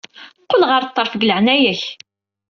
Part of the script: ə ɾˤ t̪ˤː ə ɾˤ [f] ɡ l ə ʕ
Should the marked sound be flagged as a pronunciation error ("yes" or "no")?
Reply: no